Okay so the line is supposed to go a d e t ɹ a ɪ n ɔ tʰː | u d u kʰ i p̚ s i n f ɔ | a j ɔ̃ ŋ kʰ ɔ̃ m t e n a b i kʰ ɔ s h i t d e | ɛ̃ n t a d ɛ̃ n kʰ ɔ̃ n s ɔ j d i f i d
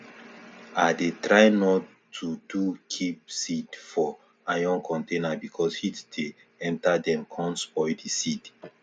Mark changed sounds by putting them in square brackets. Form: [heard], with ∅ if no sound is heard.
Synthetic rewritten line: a d e t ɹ a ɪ n ɔ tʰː | u d u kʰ i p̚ s i [d] f ɔ | a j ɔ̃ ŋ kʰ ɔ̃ [n] t e n a b i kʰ ɔ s h i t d e | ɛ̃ n t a d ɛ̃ [m] kʰ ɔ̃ n s ɔ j d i [s] i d